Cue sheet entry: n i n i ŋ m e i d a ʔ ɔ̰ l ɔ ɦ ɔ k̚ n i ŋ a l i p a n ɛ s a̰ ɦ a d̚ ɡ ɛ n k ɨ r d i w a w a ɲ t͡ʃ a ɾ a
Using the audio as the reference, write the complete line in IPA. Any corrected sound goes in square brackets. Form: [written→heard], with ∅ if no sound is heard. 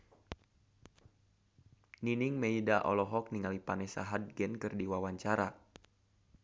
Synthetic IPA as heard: n i n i ŋ m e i d a ʔ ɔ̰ l ɔ ɦ ɔ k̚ n i ŋ a l i p a n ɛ s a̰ ɦ a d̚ ɡ ɛ n k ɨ r d i w a w a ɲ t͡ʃ a ɾ a